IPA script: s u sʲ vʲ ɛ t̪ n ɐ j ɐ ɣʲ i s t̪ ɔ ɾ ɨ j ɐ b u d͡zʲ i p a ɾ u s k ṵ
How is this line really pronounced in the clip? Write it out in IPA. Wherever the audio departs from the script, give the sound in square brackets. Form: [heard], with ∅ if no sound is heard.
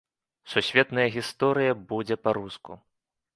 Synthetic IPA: s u sʲ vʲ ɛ t̪ n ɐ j ɐ ɣʲ i s t̪ ɔ ɾ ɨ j ɐ b u d͡zʲ [ɛ] p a ɾ u s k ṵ